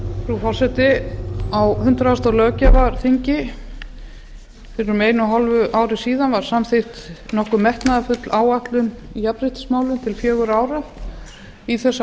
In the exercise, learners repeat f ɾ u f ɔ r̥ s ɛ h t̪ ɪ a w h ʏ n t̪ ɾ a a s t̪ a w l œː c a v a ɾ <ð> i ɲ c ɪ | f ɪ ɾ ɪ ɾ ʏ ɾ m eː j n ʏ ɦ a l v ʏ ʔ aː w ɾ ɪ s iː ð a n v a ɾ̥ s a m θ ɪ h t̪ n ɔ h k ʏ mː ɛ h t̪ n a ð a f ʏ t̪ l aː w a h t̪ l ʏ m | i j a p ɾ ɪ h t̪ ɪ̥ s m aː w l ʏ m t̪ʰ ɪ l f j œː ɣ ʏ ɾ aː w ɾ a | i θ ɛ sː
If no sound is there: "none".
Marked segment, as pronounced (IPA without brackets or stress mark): θ